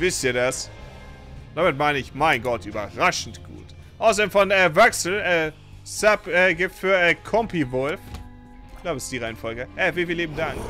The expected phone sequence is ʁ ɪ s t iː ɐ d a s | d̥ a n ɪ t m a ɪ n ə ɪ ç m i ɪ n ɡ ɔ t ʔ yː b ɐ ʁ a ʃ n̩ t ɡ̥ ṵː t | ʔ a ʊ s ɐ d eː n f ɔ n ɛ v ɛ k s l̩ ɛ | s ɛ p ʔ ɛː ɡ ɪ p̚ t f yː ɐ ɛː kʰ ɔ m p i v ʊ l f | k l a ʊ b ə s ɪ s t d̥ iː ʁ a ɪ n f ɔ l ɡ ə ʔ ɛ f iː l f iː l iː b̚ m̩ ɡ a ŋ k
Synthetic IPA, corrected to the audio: v ɪ s t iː ɐ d a s | d̥ a m ɪ t m a ɪ n ə ɪ ç m a ɪ n ɡ ɔ t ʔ yː b ɐ ʁ a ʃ n̩ t ɡ̥ ṵː t | ʔ a ʊ s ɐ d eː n f ɔ n ɛ v ɛ k s l̩ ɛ | s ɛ p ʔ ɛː ɡ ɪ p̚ t f yː ɐ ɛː kʰ ɔ m p i v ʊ l f | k l a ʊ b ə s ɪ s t d̥ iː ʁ a ɪ n f ɔ l ɡ ə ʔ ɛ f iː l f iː l iː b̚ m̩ d a ŋ k